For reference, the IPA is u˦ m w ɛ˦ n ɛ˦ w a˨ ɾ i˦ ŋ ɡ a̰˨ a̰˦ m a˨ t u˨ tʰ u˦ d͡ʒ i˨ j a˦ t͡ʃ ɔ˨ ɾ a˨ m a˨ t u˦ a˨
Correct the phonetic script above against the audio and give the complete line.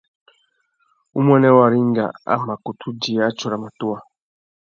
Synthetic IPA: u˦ m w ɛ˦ n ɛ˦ w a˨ ɾ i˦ ŋ ɡ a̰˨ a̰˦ m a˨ k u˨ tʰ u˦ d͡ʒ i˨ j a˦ t͡ʃ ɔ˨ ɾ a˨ m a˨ t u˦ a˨